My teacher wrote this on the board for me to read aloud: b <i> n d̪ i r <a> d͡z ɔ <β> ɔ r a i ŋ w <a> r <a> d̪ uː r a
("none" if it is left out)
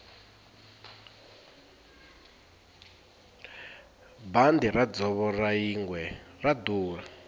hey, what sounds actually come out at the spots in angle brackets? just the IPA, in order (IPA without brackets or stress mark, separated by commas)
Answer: a, a, β, ɛ, a